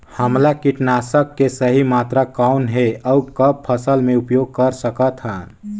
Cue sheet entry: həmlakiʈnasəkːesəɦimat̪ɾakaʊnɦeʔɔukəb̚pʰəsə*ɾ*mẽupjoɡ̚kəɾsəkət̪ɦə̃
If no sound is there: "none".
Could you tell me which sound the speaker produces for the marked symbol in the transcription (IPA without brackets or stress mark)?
l